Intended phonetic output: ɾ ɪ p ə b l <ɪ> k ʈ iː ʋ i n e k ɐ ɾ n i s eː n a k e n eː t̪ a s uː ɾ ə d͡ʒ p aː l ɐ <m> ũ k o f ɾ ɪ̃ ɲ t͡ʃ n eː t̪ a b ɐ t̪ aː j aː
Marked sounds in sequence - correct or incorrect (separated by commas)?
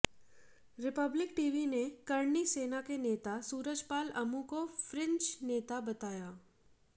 correct, correct